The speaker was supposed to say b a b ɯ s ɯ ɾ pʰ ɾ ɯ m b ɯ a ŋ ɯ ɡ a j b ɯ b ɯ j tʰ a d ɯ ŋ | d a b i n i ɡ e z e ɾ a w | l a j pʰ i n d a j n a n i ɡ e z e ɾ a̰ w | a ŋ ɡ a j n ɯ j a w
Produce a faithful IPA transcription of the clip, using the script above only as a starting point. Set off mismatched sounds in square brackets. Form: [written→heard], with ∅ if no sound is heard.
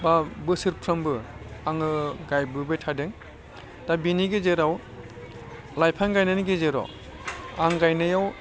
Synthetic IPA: b a b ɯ s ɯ ɾ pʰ ɾ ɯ m b ɯ a ŋ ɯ ɡ a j b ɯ b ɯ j tʰ a d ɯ ŋ | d a b i n i ɡ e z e ɾ a w | l a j pʰ [i→a] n [d→ɡ] a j n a n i ɡ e z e ɾ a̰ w | a ŋ ɡ a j n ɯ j a w